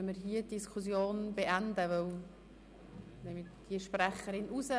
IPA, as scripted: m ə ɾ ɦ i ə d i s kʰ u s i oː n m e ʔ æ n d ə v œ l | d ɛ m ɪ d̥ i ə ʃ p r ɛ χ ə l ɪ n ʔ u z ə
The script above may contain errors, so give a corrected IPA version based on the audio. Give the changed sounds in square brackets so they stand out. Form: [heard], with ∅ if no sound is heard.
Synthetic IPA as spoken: m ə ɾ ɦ i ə d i s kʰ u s [j] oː n [b] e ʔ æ n d ə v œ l | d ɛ m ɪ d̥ i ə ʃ p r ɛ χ ə [ɾ] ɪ n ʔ u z ə